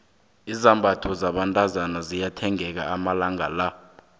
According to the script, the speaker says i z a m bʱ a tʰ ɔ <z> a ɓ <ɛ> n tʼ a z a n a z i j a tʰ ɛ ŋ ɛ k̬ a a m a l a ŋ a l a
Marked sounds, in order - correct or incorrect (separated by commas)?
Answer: correct, incorrect